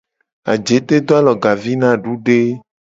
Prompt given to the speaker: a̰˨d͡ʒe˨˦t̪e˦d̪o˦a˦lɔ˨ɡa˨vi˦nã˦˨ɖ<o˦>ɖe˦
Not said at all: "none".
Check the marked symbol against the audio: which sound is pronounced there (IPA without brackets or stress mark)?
u˦